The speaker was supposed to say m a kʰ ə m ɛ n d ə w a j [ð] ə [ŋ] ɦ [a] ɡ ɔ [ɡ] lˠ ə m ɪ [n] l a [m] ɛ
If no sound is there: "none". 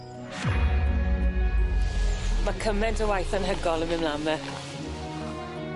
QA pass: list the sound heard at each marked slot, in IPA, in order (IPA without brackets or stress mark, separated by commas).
θ, n, ə, none, m, m